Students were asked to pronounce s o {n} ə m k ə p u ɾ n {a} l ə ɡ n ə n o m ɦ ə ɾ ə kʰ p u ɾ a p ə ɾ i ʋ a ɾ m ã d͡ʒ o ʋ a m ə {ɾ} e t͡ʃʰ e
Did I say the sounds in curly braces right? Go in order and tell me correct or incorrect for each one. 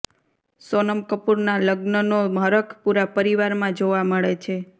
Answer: correct, correct, incorrect: ɭ

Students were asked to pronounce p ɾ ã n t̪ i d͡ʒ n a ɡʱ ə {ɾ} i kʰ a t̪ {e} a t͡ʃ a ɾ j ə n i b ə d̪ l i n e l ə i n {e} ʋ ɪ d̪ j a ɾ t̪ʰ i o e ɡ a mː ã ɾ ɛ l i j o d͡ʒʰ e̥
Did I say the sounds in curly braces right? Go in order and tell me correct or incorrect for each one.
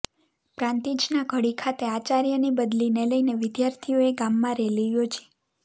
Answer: incorrect: ɽ, correct, correct

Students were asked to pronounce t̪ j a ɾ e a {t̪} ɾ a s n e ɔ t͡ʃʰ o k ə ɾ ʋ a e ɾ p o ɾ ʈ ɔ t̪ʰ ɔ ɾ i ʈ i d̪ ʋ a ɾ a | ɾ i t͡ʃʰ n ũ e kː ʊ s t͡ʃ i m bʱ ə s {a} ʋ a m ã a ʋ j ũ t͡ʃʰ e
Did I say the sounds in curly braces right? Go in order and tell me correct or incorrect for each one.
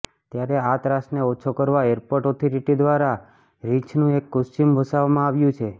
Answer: correct, correct

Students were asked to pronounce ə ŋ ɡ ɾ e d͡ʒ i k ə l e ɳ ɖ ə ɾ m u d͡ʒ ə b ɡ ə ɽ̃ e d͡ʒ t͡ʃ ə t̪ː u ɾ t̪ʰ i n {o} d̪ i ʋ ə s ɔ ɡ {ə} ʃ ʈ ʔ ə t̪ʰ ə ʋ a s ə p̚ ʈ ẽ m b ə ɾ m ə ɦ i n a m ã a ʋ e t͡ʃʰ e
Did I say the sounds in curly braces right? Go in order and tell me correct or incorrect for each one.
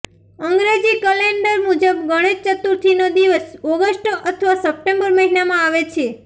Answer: correct, correct

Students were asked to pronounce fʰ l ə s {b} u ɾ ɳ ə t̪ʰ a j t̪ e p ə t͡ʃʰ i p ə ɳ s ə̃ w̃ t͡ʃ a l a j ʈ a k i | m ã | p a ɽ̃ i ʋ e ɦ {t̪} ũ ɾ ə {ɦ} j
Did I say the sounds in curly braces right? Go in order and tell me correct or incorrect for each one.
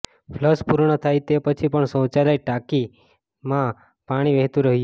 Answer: incorrect: p, correct, correct

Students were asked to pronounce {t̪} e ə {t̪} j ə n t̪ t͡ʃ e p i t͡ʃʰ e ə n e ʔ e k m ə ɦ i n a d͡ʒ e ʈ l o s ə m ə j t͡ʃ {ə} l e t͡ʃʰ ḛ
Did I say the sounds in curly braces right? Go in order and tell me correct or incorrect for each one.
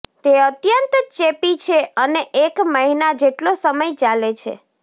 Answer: correct, correct, incorrect: a

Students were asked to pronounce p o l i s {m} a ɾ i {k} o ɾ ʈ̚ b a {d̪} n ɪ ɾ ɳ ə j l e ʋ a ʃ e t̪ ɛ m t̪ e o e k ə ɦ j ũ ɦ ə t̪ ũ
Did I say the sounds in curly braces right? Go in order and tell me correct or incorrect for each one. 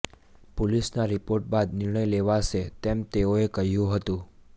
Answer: incorrect: n, incorrect: p, correct

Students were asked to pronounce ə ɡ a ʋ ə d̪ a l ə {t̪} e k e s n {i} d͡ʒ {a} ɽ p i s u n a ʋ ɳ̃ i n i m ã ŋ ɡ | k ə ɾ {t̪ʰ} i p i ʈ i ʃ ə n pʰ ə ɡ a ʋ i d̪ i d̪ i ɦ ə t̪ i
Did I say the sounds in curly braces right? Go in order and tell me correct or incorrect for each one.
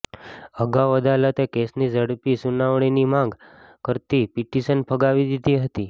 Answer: correct, correct, incorrect: ə, incorrect: t̪

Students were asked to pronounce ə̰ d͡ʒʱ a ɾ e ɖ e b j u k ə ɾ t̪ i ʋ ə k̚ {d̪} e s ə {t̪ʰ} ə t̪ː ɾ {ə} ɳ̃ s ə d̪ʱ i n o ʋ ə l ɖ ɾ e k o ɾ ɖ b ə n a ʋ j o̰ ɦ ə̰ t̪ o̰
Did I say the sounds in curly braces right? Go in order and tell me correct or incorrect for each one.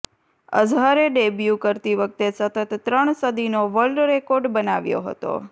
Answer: incorrect: t̪, incorrect: t̪, correct

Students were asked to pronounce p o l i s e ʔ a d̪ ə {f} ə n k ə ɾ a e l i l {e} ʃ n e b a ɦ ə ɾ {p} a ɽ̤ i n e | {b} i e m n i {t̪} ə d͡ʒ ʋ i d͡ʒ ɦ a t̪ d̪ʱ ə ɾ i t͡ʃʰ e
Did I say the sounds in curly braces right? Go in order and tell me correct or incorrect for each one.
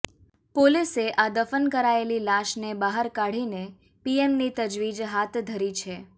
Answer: correct, incorrect: a, incorrect: k, incorrect: p, correct

